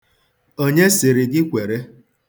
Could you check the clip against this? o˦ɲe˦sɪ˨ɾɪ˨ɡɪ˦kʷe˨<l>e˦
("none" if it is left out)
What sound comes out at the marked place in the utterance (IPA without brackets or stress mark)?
ɾ